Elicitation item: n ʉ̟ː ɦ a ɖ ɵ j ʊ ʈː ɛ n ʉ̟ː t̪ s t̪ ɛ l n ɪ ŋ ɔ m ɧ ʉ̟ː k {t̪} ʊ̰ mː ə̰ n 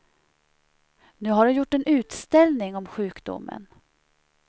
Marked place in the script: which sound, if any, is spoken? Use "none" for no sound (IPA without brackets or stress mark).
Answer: d̪